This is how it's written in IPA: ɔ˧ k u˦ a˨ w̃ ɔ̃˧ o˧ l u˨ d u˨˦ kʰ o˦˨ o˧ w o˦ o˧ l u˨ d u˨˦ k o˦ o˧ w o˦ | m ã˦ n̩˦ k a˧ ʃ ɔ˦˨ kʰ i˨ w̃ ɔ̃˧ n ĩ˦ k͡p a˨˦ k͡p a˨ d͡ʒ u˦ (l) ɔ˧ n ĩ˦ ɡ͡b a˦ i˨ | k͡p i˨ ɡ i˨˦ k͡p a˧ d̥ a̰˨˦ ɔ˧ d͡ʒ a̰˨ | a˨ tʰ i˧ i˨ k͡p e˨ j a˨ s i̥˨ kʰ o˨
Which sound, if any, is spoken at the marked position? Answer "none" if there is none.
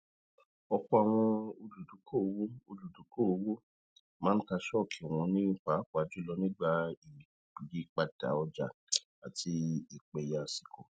l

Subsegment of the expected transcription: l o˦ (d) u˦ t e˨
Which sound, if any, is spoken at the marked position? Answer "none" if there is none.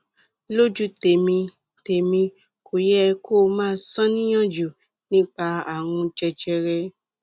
d͡ʒ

